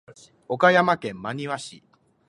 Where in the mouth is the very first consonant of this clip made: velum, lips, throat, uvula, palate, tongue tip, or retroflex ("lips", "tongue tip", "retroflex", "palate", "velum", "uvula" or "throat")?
velum